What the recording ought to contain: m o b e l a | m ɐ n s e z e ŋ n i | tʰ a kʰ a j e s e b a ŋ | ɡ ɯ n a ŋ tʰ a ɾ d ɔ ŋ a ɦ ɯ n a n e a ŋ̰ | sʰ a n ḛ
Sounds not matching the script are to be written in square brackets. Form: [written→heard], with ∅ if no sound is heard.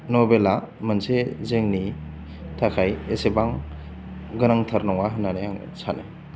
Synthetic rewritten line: [m→n] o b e l a | m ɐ n s e z e ŋ n i | tʰ a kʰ a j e s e b a ŋ | ɡ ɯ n a ŋ tʰ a ɾ [d→n] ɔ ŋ a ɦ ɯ n a n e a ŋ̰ | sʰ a n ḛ